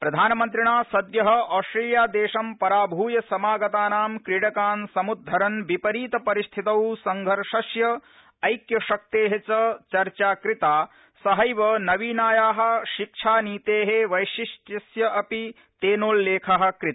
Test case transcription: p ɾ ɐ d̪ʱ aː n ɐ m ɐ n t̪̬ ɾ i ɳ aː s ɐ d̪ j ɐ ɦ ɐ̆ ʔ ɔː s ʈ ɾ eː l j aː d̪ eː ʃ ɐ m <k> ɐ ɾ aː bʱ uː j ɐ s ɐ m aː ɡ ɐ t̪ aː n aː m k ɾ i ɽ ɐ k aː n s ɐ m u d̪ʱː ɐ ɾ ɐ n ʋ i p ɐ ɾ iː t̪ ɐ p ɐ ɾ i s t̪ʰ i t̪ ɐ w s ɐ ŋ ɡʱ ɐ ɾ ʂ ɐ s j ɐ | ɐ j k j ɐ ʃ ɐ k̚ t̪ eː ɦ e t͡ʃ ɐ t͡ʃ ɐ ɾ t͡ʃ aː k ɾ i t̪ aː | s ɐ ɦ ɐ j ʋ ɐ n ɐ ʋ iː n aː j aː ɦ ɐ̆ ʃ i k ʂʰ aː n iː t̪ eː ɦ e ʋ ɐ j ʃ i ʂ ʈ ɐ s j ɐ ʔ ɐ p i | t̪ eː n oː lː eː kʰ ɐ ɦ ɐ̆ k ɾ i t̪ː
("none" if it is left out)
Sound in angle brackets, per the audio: p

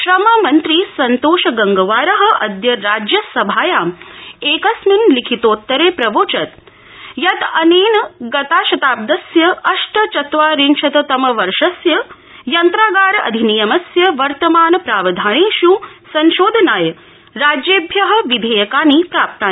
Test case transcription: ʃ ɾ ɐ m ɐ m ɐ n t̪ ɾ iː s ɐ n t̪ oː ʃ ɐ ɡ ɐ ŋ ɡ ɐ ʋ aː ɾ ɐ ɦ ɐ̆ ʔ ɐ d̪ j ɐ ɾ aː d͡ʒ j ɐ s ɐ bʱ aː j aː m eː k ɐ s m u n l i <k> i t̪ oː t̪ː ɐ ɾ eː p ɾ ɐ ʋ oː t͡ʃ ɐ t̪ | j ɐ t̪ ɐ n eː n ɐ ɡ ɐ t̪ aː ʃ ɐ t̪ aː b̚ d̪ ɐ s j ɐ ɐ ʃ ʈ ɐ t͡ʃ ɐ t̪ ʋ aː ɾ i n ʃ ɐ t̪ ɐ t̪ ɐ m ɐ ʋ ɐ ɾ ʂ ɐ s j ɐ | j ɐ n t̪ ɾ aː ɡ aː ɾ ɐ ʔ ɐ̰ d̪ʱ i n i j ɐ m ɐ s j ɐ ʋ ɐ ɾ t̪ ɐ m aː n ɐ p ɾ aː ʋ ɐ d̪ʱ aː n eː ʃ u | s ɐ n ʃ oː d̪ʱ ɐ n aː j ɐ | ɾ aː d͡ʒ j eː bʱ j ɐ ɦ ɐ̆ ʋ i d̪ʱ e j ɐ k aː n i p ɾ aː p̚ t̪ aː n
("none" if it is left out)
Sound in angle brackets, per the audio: kʰ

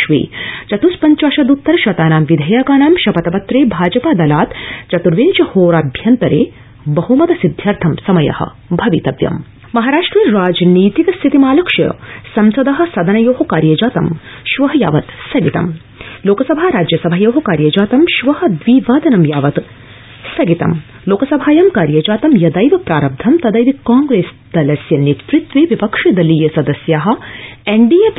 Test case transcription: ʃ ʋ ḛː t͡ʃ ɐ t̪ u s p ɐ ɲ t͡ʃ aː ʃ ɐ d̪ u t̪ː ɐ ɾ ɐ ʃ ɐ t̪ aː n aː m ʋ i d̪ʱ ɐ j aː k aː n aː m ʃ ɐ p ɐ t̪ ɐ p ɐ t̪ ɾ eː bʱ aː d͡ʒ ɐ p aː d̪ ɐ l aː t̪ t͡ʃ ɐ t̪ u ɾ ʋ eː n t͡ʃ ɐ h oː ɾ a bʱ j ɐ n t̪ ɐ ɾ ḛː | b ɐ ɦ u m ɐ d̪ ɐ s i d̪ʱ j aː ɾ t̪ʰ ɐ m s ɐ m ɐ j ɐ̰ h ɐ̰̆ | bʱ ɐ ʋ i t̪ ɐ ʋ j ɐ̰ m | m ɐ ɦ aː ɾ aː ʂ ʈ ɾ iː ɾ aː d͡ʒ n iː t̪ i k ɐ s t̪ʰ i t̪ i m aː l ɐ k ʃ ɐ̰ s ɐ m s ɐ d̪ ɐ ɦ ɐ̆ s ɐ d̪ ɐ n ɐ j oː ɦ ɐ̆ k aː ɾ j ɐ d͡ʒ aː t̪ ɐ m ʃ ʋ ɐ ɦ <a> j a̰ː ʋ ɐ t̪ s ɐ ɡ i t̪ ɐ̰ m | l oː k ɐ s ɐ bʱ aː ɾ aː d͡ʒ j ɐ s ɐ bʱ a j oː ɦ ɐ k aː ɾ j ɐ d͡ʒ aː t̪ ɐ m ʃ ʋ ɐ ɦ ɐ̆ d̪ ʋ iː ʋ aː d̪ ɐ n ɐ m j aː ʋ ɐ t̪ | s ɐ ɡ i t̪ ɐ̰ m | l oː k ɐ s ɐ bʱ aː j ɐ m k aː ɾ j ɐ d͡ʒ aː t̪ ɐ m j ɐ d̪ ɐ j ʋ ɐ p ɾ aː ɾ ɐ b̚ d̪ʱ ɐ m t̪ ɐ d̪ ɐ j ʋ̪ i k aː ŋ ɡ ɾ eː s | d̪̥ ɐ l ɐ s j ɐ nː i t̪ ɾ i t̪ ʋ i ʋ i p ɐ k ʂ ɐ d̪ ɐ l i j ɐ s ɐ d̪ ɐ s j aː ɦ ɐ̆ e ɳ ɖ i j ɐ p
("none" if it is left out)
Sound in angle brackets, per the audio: ɐ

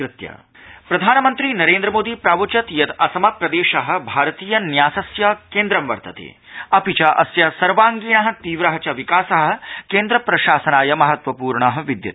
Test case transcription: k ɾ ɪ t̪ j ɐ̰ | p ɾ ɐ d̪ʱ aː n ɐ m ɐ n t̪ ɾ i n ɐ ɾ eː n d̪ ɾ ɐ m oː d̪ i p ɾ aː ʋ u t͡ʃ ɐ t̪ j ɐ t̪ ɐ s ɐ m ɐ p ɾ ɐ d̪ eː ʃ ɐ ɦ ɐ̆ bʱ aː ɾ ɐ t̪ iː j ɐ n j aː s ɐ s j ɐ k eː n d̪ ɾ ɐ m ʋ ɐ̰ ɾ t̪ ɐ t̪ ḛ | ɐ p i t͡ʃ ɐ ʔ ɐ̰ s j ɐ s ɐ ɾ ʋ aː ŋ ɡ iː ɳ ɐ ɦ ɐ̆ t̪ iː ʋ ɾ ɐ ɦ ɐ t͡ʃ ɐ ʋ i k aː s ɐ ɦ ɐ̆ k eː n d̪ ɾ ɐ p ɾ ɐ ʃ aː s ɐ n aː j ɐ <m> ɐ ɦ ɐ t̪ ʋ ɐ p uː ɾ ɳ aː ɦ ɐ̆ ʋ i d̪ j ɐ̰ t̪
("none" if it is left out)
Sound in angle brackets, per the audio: m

